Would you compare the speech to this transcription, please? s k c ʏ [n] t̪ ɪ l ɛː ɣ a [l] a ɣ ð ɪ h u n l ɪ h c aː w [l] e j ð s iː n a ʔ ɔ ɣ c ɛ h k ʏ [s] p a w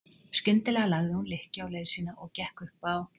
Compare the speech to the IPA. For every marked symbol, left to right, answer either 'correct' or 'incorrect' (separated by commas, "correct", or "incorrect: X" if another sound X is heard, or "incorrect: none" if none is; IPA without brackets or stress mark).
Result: correct, correct, correct, incorrect: h